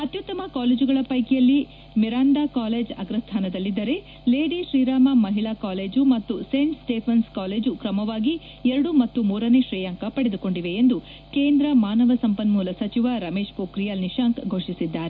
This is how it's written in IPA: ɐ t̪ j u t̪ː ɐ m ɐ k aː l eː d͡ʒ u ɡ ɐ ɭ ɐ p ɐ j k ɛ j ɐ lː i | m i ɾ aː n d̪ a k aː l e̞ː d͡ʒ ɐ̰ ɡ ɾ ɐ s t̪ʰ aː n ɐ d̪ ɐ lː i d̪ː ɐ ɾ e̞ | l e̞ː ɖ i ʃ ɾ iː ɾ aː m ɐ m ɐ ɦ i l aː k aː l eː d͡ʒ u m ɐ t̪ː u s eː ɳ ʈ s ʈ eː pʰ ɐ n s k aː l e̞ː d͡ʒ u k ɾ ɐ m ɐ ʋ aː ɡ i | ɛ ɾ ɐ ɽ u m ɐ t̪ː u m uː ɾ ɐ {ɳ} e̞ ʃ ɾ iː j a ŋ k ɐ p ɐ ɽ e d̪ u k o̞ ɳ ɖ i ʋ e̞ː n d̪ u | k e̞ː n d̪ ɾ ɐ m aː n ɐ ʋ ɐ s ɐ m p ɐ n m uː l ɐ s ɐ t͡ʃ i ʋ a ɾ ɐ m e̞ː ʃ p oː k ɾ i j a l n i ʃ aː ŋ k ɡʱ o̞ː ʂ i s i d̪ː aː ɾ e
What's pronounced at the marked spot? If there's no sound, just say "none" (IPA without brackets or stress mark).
n